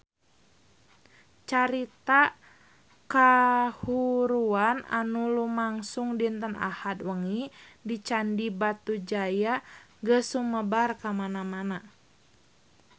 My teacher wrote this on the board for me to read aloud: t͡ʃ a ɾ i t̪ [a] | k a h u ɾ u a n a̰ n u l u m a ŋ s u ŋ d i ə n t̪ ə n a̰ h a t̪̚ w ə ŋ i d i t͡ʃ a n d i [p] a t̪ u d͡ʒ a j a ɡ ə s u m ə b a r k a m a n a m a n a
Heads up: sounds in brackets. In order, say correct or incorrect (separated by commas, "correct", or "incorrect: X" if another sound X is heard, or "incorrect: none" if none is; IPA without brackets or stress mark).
correct, incorrect: b